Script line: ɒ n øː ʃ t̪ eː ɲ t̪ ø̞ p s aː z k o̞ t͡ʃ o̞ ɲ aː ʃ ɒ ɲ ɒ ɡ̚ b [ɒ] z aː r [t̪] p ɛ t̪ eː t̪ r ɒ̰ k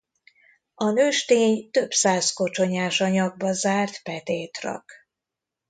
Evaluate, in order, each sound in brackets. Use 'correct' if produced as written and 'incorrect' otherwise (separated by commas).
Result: correct, correct